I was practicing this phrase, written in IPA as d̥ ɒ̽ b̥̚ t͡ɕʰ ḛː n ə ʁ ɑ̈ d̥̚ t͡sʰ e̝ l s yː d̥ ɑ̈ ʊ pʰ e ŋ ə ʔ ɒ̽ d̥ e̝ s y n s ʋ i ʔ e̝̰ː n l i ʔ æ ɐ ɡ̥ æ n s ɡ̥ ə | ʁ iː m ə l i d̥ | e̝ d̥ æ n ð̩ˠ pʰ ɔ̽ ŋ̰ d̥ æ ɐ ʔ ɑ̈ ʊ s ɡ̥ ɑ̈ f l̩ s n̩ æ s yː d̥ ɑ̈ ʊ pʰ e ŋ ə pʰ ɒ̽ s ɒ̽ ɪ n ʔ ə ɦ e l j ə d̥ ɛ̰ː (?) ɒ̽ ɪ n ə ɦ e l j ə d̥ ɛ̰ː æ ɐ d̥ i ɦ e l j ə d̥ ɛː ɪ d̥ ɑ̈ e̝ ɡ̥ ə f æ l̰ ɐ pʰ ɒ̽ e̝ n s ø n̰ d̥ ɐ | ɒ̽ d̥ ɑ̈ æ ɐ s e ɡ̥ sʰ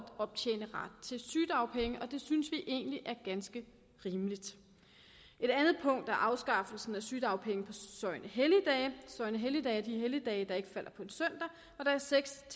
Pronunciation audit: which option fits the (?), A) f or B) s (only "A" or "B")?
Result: B